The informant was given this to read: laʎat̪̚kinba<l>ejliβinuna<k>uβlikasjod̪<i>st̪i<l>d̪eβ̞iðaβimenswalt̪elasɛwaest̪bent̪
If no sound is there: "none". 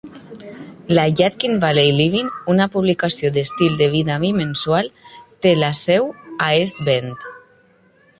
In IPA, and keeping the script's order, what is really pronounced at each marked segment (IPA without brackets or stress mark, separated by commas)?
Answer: l, p, e, l